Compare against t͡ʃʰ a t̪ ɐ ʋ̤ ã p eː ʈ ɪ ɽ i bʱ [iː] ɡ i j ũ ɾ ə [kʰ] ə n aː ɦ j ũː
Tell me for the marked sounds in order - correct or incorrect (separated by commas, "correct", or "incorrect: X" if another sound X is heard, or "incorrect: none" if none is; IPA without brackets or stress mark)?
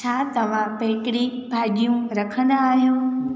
incorrect: aː, correct